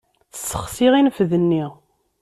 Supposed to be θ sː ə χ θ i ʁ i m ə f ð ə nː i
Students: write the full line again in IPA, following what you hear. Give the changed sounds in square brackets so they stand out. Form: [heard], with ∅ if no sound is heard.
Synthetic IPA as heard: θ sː ə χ [s] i ʁ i [n] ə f ð ə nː i